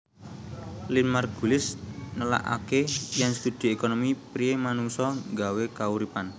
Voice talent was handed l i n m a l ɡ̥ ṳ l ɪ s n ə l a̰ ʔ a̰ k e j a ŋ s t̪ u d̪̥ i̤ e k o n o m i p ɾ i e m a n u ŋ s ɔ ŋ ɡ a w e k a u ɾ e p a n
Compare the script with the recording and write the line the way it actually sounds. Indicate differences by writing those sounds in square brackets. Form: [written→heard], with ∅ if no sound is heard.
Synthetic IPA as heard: l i n m a [l→r] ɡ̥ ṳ l ɪ s n ə l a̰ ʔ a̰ k e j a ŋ s t̪ u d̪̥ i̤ e k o n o m i p ɾ i e m a n u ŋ s ɔ ŋ ɡ a w e k a u ɾ [e→i] p a n